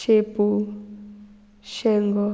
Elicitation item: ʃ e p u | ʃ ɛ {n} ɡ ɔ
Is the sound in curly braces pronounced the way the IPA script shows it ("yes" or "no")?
no